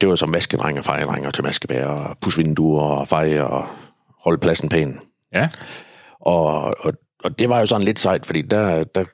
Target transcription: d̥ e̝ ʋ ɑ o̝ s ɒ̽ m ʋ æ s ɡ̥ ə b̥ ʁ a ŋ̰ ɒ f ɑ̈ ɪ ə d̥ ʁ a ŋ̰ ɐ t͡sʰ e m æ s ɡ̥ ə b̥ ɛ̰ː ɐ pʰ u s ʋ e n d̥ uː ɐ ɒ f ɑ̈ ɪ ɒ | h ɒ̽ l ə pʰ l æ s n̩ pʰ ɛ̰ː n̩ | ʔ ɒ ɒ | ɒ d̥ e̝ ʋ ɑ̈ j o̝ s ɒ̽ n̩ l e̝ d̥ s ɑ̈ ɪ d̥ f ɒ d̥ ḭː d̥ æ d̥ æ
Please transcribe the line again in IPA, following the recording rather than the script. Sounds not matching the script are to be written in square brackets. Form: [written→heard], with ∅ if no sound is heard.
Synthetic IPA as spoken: d̥ e̝ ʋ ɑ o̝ s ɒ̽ m ʋ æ s ɡ̥ ə [b̥→d̥] ʁ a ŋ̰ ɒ f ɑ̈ ɪ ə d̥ ʁ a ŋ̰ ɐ t͡sʰ e m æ s ɡ̥ ə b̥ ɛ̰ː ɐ pʰ u s ʋ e n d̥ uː ɐ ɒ f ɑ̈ ɪ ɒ | h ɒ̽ l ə pʰ l æ s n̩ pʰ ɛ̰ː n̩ | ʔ ɒ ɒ | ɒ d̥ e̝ ʋ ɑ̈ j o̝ s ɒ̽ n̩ l e̝ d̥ s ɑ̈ ɪ d̥ f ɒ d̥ ḭː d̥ æ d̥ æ